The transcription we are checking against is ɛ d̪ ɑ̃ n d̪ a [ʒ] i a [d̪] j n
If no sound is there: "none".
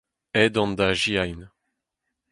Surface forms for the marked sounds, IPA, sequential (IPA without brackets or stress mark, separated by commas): ʒ, none